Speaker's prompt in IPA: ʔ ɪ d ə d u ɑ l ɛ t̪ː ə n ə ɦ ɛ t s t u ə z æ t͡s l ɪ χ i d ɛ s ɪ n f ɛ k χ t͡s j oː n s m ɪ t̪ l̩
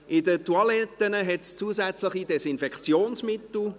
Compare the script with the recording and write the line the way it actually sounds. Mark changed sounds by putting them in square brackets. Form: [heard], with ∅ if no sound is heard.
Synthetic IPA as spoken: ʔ ɪ d ə [t] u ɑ l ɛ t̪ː ə n ə ɦ ɛ t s [t͡s] u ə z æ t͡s l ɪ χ i d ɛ s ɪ n f ɛ k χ t͡s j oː n s m ɪ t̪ l̩